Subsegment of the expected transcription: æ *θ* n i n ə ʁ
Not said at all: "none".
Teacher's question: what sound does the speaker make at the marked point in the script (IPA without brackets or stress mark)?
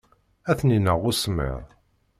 θ